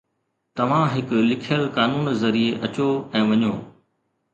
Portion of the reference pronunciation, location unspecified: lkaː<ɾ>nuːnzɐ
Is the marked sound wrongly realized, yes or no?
yes